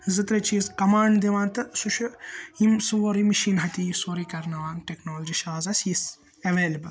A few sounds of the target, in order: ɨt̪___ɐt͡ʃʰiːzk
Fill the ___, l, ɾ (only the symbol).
ɾ